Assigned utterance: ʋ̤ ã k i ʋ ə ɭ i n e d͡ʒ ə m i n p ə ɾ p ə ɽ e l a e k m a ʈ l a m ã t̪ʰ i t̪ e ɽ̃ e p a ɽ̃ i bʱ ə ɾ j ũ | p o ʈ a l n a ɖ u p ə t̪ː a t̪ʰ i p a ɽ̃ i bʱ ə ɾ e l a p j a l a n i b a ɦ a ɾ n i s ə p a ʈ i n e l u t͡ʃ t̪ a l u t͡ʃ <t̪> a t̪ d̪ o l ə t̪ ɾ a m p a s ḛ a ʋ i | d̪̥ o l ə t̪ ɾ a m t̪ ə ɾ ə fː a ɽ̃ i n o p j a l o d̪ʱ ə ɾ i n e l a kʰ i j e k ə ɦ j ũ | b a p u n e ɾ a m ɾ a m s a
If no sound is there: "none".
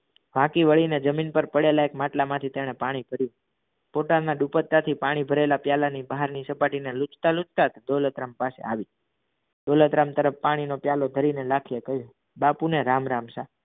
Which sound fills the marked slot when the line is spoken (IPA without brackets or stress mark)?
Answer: t̪